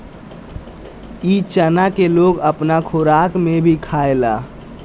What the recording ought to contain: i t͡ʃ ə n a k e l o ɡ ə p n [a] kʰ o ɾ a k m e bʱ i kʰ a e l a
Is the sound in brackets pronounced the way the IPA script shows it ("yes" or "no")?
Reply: yes